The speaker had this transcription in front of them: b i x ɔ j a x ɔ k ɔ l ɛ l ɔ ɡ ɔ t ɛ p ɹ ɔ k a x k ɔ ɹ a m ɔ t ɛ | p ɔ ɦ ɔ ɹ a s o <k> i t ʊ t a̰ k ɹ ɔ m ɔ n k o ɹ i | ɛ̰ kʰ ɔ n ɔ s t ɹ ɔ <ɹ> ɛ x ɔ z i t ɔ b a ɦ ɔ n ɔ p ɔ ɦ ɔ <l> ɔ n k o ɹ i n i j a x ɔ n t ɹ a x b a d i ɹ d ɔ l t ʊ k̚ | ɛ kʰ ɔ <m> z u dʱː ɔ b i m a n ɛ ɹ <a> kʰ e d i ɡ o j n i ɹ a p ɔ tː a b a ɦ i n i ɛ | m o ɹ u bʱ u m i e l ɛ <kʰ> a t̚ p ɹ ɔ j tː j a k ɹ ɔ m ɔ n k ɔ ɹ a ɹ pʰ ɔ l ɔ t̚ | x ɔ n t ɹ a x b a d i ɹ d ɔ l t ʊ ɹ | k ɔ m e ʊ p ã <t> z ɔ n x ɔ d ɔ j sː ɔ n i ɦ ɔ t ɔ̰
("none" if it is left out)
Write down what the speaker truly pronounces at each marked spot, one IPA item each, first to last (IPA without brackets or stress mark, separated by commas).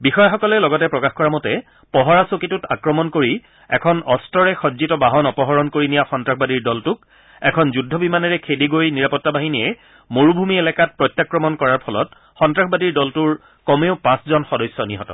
k, ɹ, ɹ, n, ɛ, k, s